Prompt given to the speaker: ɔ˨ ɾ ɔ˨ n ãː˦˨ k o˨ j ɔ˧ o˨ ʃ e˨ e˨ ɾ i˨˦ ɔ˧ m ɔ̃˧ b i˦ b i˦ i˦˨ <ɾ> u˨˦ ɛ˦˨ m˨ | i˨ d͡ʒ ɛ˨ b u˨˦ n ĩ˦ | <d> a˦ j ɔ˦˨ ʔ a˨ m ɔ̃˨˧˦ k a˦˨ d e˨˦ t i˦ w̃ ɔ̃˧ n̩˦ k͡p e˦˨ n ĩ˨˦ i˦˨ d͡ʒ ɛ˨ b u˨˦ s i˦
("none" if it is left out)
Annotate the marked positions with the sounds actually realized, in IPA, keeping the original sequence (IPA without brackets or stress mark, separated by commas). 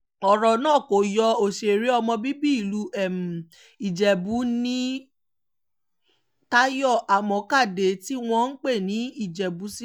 l, t